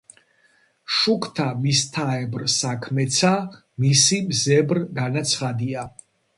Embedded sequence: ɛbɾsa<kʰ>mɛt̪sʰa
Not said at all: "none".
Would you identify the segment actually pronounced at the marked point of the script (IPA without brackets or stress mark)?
kʰ